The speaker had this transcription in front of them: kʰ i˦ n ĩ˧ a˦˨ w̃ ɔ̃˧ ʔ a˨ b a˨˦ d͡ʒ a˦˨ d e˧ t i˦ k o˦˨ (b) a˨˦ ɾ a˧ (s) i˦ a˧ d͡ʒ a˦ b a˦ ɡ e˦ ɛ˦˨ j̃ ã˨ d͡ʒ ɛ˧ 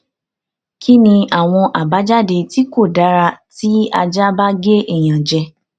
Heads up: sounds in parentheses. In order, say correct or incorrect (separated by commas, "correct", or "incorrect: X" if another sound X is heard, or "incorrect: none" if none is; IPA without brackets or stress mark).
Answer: incorrect: d, incorrect: t